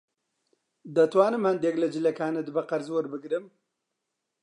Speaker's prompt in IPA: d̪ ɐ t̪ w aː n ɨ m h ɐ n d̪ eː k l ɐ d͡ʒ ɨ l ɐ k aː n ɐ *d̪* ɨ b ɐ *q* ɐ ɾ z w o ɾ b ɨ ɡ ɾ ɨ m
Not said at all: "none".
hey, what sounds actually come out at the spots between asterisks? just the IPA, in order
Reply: d̪, q

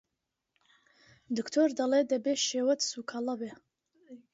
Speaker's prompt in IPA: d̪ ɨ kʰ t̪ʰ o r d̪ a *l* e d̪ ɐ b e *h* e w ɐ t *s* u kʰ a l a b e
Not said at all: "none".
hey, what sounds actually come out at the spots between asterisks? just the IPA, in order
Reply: l, ʃ, s

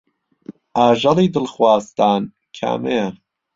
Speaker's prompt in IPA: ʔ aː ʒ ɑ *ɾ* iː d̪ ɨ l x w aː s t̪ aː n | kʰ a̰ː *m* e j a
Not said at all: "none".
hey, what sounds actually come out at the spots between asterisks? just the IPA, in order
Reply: l, m

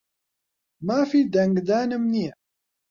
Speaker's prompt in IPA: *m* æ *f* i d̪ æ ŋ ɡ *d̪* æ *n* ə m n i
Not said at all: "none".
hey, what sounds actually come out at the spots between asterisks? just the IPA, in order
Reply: m, f, d̪, n

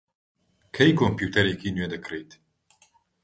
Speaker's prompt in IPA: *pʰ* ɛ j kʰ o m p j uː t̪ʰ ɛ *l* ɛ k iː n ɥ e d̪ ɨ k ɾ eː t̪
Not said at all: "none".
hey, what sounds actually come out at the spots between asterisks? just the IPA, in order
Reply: kʰ, ɾ

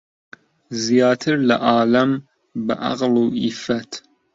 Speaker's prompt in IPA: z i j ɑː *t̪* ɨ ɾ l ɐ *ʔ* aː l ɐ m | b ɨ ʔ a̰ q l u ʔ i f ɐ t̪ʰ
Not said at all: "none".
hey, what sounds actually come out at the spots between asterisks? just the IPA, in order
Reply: t̪ʰ, ʔ

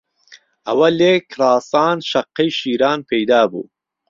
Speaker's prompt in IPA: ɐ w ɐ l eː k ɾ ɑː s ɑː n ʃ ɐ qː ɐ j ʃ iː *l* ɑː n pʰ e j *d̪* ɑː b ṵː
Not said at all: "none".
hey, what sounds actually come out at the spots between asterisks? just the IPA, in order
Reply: ɾ, d̪

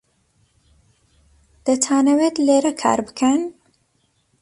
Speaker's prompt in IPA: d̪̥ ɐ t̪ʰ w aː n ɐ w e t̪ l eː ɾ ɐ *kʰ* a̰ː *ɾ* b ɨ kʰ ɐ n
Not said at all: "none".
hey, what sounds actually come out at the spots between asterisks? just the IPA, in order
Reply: kʰ, ɾ

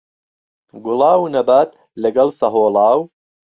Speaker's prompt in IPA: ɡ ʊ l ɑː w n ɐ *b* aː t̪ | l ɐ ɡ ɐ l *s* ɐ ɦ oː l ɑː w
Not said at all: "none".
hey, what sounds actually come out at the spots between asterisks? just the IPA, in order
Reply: b, s

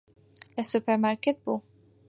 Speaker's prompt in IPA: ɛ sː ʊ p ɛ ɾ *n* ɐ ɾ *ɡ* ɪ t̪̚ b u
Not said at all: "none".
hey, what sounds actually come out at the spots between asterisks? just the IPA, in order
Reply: m, k

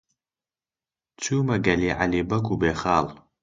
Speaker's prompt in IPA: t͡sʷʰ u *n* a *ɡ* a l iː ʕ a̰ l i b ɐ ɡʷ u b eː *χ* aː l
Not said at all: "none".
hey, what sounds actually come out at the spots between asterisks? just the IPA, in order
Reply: m, ɡ, χ

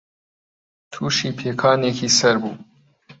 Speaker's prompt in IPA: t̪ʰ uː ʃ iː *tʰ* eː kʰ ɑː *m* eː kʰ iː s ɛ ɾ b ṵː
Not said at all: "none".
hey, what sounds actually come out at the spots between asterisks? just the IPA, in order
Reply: pʰ, n

